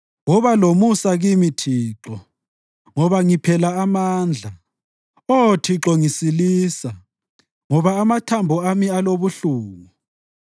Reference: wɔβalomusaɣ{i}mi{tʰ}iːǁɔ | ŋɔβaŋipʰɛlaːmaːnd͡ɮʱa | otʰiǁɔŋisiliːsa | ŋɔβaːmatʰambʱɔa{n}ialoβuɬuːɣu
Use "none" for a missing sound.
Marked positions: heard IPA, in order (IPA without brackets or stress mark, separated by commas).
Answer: i, tʰ, m